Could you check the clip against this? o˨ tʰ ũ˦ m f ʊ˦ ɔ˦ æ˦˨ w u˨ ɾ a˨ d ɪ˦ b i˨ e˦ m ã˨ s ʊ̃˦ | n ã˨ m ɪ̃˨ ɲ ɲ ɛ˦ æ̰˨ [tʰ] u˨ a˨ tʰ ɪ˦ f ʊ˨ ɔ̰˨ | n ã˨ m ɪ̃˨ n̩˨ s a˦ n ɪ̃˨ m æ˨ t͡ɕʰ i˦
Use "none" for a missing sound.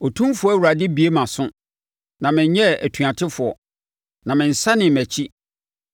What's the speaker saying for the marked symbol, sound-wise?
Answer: tʰ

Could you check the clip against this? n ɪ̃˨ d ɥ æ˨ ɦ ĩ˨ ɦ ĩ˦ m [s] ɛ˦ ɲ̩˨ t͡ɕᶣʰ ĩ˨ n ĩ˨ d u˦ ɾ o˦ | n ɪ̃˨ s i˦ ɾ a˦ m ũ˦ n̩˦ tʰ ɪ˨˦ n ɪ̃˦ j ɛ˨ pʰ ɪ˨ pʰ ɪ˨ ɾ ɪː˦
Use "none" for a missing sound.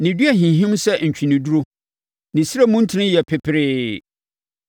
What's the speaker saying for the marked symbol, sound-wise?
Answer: s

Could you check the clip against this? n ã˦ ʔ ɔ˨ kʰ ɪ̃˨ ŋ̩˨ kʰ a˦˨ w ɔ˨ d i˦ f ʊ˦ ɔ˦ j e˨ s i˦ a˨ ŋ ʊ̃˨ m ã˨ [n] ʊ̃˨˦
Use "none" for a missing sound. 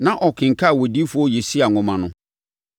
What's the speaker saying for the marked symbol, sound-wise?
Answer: n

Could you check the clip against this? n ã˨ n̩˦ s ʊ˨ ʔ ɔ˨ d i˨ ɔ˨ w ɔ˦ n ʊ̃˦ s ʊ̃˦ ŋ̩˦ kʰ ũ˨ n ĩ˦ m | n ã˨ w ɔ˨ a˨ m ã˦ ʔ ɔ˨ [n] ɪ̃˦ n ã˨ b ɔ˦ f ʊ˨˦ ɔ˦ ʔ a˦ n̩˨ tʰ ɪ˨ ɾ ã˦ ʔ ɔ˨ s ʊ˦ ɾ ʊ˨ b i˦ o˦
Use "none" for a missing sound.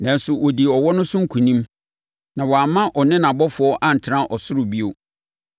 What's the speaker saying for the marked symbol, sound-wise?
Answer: n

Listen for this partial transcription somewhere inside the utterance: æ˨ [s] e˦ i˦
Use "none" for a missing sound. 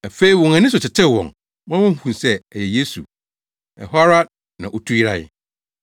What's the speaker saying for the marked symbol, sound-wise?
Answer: f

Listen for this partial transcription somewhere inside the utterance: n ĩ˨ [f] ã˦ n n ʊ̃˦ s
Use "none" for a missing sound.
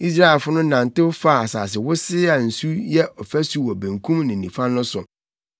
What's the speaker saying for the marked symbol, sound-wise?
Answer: f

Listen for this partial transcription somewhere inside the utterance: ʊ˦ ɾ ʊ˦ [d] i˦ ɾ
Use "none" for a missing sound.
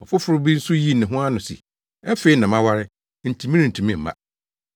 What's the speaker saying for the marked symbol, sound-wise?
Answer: b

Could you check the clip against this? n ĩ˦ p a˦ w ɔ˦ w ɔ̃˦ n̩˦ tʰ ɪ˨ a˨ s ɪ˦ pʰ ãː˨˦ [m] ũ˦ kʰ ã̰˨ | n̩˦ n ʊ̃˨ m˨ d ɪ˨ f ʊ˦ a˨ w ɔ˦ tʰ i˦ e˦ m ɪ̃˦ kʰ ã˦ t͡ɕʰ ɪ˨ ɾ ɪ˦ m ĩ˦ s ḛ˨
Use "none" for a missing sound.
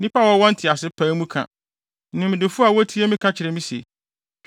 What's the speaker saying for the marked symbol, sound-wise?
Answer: m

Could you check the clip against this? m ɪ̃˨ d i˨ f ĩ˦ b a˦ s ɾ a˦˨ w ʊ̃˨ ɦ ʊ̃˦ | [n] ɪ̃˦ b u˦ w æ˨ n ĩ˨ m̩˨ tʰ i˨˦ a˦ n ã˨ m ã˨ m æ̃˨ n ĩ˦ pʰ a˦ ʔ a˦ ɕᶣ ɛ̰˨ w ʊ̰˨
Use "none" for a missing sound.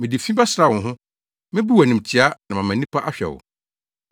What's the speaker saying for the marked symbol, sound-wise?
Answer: m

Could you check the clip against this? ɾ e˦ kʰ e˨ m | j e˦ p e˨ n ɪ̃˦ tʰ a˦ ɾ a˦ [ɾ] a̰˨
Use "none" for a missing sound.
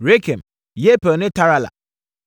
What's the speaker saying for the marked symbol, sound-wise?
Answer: l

